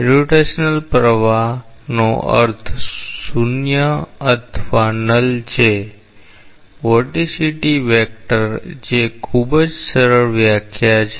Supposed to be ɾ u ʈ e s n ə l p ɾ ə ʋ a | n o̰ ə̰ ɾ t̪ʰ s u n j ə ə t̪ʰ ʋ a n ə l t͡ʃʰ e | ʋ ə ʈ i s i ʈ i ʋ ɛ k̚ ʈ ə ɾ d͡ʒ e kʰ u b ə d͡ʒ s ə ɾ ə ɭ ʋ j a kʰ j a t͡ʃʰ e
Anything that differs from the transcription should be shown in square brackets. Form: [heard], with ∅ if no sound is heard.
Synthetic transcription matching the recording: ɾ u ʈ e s n ə l p ɾ ə ʋ a | n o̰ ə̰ ɾ t̪ʰ s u n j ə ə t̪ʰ ʋ a n ə l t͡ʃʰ e | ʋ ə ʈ i s i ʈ i ʋ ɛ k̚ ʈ ə ɾ d͡ʒ e kʰ u b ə d͡ʒ s ə ɾ ə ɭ ʋ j a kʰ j a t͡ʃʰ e